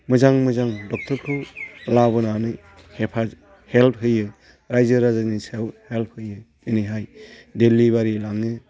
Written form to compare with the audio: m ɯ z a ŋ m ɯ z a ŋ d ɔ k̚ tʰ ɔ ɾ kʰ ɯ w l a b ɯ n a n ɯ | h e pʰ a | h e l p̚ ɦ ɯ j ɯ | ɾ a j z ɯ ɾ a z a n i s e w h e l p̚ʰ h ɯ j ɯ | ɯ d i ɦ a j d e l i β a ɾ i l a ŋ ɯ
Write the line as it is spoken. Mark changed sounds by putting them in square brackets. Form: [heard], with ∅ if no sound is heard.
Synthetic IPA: m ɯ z a ŋ m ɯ z a ŋ d ɔ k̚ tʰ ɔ ɾ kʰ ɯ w l a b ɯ n a n ɯ | h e pʰ a | h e l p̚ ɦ ɯ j ɯ | ɾ a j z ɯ ɾ a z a n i s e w h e l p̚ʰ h ɯ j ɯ | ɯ [n] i ɦ a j d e l i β a ɾ i l a ŋ ɯ